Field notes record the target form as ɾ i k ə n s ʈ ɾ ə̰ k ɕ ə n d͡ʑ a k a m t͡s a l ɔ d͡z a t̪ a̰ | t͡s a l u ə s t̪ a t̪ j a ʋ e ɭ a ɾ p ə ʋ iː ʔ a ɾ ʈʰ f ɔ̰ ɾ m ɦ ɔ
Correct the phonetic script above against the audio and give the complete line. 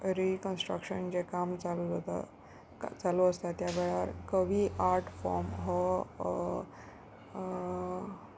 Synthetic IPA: ɾ i k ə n s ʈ ɾ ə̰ k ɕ ə n d͡ʑ e k a m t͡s a l u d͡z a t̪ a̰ | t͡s a l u ə s t̪ a t̪ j a ʋ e ɭ a ɾ k ə ʋ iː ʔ a ɾ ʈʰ f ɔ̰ ɾ m ɦ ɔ

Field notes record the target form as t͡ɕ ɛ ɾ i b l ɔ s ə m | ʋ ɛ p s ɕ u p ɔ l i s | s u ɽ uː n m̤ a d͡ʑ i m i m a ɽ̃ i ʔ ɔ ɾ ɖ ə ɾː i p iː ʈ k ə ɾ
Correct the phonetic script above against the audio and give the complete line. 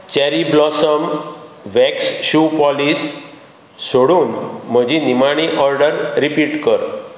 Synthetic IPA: t͡ɕ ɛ ɾ i b l ɔ s ə m | ʋ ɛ k s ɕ u p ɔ l i s | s o ɽ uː n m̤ ə d͡ʑ i n i m a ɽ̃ i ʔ ɔ ɾ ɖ ə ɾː i p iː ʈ k ə ɾ

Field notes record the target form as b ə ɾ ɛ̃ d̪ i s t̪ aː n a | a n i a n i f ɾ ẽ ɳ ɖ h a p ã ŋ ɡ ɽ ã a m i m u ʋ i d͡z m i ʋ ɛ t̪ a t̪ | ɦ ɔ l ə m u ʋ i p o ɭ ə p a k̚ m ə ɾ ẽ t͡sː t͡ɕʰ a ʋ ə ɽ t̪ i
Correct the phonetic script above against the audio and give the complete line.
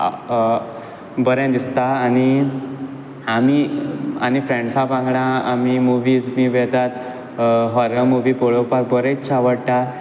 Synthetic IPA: b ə ɾ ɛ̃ d̪ i s t̪ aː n i | a m i a n i f ɾ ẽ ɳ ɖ s a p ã ŋ ɡ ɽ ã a m i m u ʋ i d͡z m i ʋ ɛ t̪ a t̪ | ɦ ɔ ɾ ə m u ʋ i p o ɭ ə p a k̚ b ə ɾ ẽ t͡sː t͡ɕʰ a ʋ ə ɽ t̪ a

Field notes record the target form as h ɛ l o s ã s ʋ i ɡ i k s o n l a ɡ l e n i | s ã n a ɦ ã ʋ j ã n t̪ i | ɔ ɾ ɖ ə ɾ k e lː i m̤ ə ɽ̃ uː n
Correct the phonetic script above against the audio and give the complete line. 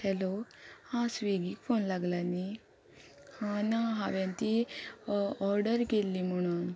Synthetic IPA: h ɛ l o h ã s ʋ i ɡ i k f o n l a ɡ l a n i | h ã n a ɦ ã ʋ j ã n t̪ i | ɔ ɾ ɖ ə ɾ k e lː i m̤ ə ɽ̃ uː n

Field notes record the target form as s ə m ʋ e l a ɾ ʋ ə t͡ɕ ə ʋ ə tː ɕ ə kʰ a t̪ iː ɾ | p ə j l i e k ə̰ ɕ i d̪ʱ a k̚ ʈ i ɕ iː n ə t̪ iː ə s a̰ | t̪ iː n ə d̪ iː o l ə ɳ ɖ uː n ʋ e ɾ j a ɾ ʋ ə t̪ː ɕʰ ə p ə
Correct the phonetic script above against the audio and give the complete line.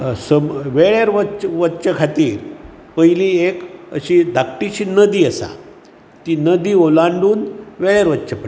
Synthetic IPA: s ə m ʋ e ɭ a ɾ ʋ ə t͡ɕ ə ʋ ə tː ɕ ə kʰ a t̪ iː ɾ | p ə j l i e k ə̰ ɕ i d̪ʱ a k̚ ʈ i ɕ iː n ə d̪ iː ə s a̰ | t̪ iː n ə d̪ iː o l a ɳ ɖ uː n ʋ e ɭ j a ɾ ʋ ə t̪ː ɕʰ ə p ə

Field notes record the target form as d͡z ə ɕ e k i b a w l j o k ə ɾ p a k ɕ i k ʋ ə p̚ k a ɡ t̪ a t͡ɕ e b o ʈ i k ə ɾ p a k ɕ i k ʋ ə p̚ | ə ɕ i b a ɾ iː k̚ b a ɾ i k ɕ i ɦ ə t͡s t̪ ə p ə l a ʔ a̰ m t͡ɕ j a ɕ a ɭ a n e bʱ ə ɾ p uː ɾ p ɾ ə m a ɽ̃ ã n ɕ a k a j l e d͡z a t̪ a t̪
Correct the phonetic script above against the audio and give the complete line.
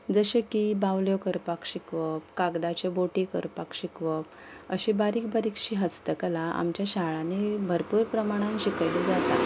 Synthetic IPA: d͡z ə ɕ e k i b a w l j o k ə ɾ p a k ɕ i k ʋ ə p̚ k a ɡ d̪ a t͡ɕ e b o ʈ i k ə ɾ p a k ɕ i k ʋ ə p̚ | ə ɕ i b a ɾ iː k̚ b a ɾ i k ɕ i ɦ ə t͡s t̪ ə k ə l a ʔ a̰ m t͡ɕ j a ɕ a ɭ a n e bʱ ə ɾ p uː ɾ p ɾ ə m a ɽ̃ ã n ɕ i k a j l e d͡z a t̪ a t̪

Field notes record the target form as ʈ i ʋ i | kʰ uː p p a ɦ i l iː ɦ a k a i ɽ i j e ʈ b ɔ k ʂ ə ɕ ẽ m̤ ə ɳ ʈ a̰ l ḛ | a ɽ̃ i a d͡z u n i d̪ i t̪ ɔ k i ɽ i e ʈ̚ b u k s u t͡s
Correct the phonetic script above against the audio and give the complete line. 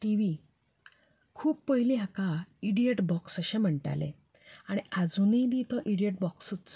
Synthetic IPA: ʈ i ʋ i | kʰ uː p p ə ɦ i l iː ɦ a k a i ɽ i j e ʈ b ɔ k s ə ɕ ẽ m̤ ə ɳ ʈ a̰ l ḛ | a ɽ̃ i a d͡z u n i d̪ i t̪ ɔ ʔ i ɽ i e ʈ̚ b ɔ k s u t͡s

